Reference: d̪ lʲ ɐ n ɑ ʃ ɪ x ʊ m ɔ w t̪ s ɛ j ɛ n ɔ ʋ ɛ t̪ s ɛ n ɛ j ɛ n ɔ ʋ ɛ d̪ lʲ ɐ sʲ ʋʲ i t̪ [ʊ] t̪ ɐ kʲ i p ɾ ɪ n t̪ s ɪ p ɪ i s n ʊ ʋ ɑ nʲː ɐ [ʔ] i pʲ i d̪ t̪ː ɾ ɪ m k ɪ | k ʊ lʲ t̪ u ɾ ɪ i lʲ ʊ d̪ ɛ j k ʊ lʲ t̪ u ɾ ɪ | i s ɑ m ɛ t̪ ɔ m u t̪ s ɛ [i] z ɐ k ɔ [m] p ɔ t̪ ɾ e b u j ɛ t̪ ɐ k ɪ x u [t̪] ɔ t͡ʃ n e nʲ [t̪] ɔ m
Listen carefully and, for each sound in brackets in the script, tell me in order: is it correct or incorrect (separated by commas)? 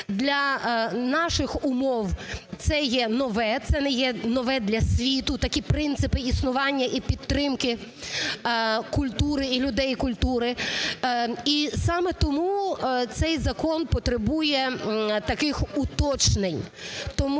correct, correct, incorrect, incorrect, correct, correct